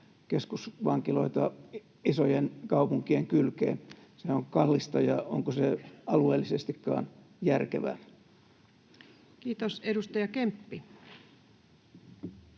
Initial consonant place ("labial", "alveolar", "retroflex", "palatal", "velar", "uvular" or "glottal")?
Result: velar